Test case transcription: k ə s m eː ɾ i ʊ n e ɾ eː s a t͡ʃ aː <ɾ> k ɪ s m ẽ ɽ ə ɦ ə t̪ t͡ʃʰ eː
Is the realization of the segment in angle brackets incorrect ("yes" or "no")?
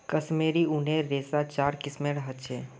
no